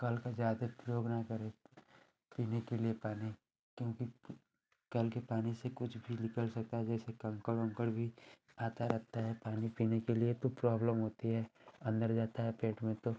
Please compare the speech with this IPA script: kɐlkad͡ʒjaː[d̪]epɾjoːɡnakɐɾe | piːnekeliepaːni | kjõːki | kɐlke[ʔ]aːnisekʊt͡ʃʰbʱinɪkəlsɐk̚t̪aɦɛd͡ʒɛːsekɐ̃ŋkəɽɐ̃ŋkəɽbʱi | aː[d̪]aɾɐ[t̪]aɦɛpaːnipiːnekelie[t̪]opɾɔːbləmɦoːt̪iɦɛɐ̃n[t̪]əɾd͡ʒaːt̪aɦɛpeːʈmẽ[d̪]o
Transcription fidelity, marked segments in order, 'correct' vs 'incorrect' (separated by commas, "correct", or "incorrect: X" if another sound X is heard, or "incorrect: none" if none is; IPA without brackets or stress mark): correct, incorrect: p, incorrect: t̪, correct, correct, incorrect: d̪, incorrect: t̪